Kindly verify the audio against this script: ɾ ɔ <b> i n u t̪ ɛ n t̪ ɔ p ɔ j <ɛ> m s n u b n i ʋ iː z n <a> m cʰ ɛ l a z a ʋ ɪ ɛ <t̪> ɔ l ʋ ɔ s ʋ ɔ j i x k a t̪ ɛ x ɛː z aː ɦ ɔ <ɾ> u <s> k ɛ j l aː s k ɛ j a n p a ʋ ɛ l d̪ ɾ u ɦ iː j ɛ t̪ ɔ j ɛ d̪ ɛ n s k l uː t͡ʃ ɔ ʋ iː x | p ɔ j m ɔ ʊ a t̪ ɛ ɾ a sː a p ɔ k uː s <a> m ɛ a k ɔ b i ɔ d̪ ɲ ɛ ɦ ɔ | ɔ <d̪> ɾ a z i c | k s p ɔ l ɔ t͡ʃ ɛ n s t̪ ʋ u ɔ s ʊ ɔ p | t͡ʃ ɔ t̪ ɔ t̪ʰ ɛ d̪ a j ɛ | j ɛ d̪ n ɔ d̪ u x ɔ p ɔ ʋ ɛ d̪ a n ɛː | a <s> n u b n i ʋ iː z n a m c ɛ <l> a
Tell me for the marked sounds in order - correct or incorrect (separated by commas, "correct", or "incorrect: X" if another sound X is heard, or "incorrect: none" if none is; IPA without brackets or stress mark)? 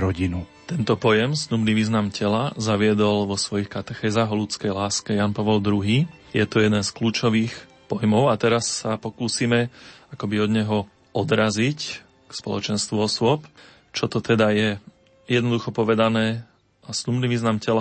incorrect: ɟ, correct, correct, incorrect: d̪, incorrect: l, incorrect: t͡s, incorrect: i, correct, correct, correct